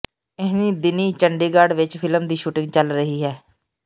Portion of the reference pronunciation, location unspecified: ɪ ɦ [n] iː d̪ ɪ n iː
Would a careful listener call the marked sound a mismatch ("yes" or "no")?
no